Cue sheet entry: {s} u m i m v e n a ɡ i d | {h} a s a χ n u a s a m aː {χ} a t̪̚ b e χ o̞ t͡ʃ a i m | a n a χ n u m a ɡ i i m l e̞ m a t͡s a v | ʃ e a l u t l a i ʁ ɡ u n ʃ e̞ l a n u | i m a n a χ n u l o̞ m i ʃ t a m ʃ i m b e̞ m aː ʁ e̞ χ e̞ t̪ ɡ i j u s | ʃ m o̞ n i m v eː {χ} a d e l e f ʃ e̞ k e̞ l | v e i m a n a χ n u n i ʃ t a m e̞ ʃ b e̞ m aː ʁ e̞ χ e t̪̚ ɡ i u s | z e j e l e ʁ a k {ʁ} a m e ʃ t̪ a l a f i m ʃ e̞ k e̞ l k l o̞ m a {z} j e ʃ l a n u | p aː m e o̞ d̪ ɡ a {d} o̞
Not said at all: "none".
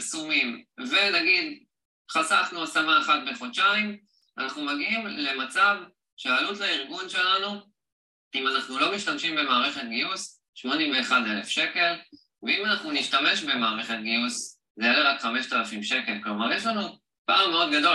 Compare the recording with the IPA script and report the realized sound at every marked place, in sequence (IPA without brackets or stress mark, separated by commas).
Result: s, χ, χ, χ, χ, ʁ, d